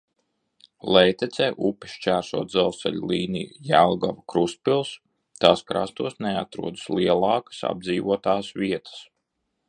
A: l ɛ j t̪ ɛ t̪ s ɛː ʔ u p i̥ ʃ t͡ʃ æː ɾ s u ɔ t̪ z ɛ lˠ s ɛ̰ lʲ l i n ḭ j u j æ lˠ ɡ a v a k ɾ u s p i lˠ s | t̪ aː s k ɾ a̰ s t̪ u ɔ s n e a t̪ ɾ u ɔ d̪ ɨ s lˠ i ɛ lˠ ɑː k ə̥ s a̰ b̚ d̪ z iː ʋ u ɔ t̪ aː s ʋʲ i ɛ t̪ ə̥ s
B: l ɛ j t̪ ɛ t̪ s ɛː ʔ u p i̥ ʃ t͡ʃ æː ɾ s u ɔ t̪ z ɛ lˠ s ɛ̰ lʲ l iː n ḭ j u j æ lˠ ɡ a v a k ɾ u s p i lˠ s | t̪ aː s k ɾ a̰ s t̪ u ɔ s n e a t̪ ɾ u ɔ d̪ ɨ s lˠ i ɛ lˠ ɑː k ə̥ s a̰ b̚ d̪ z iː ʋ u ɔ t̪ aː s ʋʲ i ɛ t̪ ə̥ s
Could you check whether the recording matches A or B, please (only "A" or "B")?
B